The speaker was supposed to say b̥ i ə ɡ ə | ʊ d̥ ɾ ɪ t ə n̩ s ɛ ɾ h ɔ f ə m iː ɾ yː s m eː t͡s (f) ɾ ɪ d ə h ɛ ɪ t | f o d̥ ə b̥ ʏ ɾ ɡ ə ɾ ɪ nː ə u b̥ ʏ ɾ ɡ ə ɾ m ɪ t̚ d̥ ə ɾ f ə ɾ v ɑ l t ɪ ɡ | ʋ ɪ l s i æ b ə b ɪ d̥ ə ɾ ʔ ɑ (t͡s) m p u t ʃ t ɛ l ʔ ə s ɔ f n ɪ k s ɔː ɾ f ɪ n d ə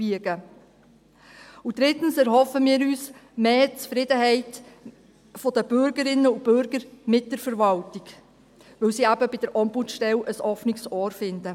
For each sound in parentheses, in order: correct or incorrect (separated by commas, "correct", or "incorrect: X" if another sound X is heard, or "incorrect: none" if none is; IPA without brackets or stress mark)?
correct, incorrect: none